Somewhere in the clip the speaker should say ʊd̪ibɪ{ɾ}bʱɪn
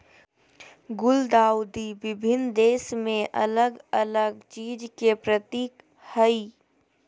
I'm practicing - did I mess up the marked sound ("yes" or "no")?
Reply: yes